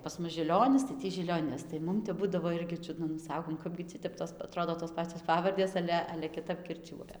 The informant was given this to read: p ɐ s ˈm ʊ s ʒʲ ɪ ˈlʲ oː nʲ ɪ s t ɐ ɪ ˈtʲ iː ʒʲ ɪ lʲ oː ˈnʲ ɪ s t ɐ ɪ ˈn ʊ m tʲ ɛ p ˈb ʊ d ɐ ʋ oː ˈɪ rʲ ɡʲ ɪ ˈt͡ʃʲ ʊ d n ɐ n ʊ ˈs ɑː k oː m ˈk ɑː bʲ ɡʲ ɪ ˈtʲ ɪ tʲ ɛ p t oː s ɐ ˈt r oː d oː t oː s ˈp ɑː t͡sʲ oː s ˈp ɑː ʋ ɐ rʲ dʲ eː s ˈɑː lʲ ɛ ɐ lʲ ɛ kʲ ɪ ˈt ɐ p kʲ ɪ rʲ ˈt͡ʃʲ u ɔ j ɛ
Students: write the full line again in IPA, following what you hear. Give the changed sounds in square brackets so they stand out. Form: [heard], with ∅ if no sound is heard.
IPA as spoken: p ɐ s ˈm ʊ s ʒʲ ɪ ˈlʲ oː nʲ ɪ s t ɐ ɪ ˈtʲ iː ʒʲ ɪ lʲ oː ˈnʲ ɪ s t ɐ ɪ [ˈm] ʊ m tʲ ɛ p ˈb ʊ d ɐ ʋ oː ˈɪ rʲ ɡʲ ɪ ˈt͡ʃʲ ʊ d n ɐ n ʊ ˈs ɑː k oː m ˈk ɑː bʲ ɡʲ ɪ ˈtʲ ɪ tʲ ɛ p t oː s ɐ ˈt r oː d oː t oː s ˈp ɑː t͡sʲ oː s ˈp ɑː ʋ ɐ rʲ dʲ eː s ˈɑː lʲ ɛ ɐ lʲ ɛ kʲ ɪ ˈt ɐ p kʲ ɪ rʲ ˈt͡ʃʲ u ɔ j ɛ

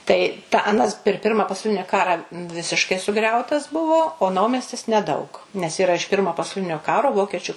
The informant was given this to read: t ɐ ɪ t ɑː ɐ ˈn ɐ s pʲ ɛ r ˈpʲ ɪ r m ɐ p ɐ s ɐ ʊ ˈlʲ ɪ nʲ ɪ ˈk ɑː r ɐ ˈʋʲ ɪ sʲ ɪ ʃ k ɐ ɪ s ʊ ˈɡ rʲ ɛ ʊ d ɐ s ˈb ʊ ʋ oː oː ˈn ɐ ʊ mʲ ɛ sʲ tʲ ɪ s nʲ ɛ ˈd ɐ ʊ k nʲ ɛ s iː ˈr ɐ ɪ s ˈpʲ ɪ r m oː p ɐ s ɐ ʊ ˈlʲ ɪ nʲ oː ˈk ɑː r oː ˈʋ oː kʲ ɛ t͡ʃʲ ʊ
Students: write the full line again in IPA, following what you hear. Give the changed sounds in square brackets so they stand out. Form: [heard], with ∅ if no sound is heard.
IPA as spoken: t ɐ ɪ t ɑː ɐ ˈn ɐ s pʲ ɛ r ˈpʲ ɪ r m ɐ p ɐ s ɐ ʊ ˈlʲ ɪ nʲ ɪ ˈk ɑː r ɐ ˈʋʲ ɪ sʲ ɪ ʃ k ɐ ɪ s ʊ ˈɡ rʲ ɛ ʊ [t] ɐ s ˈb ʊ ʋ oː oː ˈn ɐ ʊ mʲ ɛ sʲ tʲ ɪ s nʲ ɛ ˈd ɐ ʊ k nʲ ɛ s iː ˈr ɐ ɪ [ʃ] ˈpʲ ɪ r m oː p ɐ s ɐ ʊ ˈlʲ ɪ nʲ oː ˈk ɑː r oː ˈʋ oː kʲ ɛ t͡ʃʲ ʊ

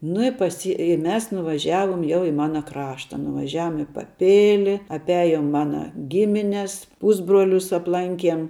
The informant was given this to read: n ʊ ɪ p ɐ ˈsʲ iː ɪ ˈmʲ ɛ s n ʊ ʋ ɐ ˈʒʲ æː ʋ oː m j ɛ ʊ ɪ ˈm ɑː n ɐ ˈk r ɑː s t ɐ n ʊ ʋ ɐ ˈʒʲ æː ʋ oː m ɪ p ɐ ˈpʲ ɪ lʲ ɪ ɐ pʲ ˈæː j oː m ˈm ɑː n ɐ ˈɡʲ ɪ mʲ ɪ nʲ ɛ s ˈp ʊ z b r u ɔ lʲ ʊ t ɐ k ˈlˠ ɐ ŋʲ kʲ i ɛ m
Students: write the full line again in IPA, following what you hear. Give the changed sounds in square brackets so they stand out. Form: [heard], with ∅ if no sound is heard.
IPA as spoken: n ʊ ɪ p ɐ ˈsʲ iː ɪ ˈmʲ ɛ s n ʊ ʋ ɐ ˈʒʲ æː ʋ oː m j ɛ ʊ ɪ ˈm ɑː n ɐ ˈk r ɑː [ʃ] t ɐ n ʊ ʋ ɐ ˈʒʲ æː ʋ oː m ɪ p ɐ ˈpʲ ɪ lʲ ɪ ɐ pʲ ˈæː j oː m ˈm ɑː n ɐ ˈɡʲ ɪ mʲ ɪ nʲ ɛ s ˈp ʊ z b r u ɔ lʲ ʊ [s] ɐ [p] ˈlˠ ɐ ŋʲ kʲ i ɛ m

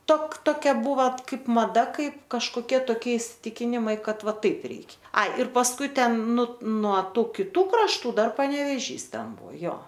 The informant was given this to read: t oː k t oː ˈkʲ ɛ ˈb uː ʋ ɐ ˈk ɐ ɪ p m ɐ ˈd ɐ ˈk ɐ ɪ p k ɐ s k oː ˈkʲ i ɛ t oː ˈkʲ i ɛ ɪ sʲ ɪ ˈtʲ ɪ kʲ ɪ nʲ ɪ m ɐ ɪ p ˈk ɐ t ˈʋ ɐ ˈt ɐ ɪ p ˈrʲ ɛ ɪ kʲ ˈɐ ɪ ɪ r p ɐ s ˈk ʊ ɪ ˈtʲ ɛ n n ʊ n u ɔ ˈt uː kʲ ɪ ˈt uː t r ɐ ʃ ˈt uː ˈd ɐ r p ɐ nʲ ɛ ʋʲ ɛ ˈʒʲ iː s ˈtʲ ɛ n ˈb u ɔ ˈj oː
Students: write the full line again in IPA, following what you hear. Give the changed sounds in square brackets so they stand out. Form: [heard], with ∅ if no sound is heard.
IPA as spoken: t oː k t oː ˈkʲ ɛ ˈb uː ʋ ɐ ˈk ɐ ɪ p m ɐ ˈd ɐ ˈk ɐ ɪ p k ɐ [ʃ] k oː ˈkʲ i ɛ t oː ˈkʲ i ɛ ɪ sʲ ɪ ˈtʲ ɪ kʲ ɪ nʲ ɪ m ɐ ɪ [∅] ˈk ɐ t ˈʋ ɐ ˈt ɐ ɪ p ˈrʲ ɛ ɪ kʲ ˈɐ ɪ ɪ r p ɐ s ˈk ʊ ɪ ˈtʲ ɛ n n ʊ n u ɔ ˈt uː kʲ ɪ ˈt uː [k] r ɐ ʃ ˈt uː ˈd ɐ r p ɐ nʲ ɛ ʋʲ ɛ ˈʒʲ iː s ˈtʲ ɛ n ˈb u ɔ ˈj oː

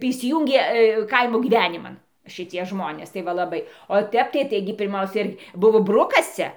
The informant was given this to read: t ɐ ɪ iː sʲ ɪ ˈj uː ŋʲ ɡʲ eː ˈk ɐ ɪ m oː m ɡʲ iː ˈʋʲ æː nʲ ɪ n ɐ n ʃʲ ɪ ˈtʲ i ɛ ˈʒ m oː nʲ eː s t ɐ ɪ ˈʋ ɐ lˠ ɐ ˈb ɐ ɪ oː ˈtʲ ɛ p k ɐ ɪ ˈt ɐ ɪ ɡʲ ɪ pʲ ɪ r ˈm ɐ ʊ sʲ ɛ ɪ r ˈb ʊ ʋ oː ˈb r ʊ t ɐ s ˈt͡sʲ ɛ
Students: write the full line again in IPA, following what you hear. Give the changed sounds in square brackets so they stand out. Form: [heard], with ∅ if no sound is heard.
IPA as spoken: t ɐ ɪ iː sʲ ɪ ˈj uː ŋʲ ɡʲ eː ˈk ɐ ɪ m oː [∅] ɡʲ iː ˈʋʲ æː nʲ ɪ [m] ɐ n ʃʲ ɪ ˈtʲ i ɛ ˈʒ m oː nʲ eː s t ɐ ɪ ˈʋ ɐ lˠ ɐ ˈb ɐ ɪ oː ˈtʲ ɛ p [t] ɐ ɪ ˈt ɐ ɪ ɡʲ ɪ pʲ ɪ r ˈm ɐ ʊ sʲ ɛ ɪ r ˈb ʊ ʋ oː ˈb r ʊ [k] ɐ s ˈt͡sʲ ɛ

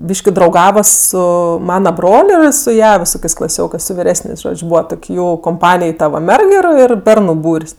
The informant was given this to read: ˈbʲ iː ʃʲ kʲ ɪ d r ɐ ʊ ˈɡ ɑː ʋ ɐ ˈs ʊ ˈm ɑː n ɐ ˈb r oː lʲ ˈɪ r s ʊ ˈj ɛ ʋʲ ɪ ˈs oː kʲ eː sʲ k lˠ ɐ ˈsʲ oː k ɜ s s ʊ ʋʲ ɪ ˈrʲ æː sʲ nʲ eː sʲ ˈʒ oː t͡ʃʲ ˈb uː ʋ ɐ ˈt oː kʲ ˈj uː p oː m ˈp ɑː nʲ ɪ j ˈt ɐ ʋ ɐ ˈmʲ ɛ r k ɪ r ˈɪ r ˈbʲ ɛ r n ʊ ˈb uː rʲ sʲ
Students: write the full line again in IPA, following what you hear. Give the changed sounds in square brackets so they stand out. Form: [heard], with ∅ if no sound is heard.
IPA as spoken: ˈbʲ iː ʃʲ kʲ ɪ d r ɐ ʊ ˈɡ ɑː ʋ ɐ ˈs ʊ ˈm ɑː n ɐ ˈb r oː lʲ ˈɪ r s ʊ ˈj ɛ ʋʲ ɪ ˈs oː kʲ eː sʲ k lˠ ɐ ˈsʲ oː k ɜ s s ʊ ʋʲ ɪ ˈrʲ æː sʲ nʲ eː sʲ ˈʒ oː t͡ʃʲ ˈb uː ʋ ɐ ˈt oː kʲ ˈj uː [k] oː m ˈp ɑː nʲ ɪ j ˈt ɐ ʋ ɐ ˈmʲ ɛ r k ɪ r ˈɪ r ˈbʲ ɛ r n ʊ ˈb uː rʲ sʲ

